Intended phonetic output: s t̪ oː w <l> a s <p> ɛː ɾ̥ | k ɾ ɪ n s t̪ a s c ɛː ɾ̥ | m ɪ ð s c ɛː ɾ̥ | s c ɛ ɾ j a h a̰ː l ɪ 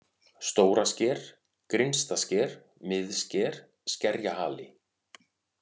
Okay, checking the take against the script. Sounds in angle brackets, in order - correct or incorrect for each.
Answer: incorrect: ɾ, incorrect: c

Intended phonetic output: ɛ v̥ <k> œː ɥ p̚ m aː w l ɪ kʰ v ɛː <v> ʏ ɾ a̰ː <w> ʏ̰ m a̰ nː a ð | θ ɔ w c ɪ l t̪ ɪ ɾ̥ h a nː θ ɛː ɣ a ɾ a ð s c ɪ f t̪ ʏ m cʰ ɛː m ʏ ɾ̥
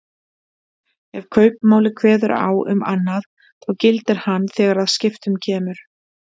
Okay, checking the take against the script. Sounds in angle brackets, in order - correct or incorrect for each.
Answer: incorrect: kʰ, incorrect: ð, correct

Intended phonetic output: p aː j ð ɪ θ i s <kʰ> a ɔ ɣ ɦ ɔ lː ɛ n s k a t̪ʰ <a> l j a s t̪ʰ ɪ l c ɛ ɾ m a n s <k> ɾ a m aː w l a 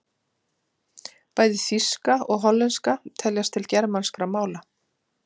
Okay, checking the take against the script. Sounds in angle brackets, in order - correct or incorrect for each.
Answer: incorrect: k, incorrect: ɛ, correct

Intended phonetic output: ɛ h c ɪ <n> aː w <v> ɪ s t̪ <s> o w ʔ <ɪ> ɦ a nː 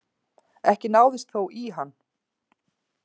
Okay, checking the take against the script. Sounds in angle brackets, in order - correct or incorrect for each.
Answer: correct, incorrect: ð, incorrect: θ, incorrect: i

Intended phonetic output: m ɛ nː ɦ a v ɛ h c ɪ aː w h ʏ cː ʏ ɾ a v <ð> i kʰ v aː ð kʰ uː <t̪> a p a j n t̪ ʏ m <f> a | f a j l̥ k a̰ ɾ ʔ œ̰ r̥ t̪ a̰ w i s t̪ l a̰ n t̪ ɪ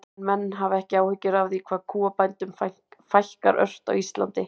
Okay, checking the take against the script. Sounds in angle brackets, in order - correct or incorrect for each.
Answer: correct, incorrect: none, correct

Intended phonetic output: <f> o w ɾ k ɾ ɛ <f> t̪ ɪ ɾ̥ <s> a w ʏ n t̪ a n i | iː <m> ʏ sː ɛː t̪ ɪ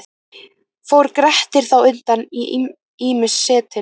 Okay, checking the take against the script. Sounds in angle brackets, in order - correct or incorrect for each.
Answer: correct, incorrect: h, incorrect: θ, correct

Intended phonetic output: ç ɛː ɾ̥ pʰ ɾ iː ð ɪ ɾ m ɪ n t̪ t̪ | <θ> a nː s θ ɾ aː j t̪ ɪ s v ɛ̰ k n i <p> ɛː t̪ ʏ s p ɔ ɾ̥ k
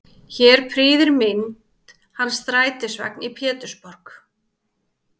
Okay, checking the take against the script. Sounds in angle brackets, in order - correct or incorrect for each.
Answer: incorrect: h, incorrect: pʰ

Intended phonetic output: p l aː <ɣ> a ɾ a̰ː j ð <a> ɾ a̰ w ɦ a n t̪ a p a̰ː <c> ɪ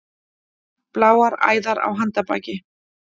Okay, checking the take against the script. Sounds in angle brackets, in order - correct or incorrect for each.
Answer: incorrect: w, correct, correct

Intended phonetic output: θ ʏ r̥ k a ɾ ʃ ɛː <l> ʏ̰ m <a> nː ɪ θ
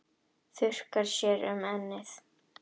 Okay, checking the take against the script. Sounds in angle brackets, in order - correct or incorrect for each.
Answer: incorrect: ɾ, incorrect: ɛ

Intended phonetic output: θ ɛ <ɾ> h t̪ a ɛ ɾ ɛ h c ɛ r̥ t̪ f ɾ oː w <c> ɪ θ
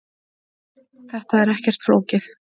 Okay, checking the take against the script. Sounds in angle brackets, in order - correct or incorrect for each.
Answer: incorrect: none, correct

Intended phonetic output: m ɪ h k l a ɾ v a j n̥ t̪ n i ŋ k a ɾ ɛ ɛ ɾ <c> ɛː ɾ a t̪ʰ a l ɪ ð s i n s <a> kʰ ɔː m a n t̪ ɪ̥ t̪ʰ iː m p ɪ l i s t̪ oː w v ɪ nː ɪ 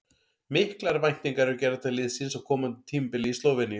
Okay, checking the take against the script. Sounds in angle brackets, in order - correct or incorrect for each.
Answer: correct, correct

